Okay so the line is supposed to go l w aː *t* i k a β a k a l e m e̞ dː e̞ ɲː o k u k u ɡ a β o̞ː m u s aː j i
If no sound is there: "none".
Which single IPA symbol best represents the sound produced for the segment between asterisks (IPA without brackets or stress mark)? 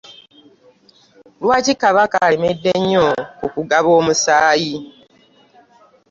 c